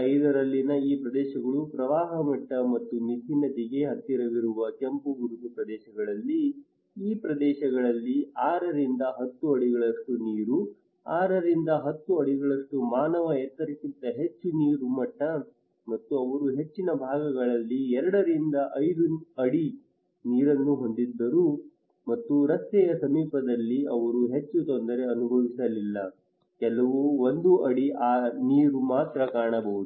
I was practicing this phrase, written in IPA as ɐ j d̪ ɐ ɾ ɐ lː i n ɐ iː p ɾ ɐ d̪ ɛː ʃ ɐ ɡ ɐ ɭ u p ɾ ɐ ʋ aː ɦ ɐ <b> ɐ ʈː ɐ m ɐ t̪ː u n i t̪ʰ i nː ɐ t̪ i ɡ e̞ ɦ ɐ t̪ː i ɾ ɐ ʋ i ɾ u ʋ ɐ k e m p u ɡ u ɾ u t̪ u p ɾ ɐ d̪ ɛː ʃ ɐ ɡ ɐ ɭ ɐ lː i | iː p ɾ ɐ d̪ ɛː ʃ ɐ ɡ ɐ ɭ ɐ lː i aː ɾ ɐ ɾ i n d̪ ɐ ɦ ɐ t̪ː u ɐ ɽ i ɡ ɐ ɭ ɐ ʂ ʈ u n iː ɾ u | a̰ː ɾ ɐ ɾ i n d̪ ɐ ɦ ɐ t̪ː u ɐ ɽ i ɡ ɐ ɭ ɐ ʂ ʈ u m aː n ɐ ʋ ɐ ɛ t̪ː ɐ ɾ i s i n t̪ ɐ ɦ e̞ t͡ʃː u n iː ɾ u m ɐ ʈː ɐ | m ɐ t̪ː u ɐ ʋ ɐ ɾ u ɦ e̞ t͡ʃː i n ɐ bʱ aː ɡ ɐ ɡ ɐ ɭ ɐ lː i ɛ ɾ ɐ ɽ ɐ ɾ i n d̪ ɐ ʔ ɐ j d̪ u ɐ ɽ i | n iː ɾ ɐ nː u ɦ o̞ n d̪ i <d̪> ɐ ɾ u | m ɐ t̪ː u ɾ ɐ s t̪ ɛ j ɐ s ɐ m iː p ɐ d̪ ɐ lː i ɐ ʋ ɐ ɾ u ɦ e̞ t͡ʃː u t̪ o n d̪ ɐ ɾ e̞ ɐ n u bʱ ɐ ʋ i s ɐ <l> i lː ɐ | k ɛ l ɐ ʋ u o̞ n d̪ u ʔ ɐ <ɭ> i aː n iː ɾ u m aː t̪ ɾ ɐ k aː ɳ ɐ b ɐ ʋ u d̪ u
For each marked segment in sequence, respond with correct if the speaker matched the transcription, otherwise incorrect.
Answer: incorrect: m, incorrect: d̪ː, correct, incorrect: ɽ

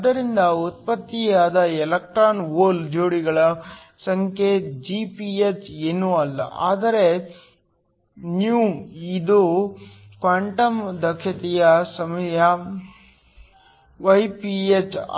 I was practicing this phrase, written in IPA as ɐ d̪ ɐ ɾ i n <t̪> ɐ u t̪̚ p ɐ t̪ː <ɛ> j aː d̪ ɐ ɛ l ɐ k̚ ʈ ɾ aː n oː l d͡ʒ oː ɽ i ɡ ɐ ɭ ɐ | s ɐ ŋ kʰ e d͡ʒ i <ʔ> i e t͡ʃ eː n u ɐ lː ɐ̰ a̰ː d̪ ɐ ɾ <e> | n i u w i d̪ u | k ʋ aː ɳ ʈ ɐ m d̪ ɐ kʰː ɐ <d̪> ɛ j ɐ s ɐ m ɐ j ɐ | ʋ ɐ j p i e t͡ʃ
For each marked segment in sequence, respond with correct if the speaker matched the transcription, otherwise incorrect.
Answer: incorrect: d̪, incorrect: i, incorrect: p, correct, incorrect: t̪

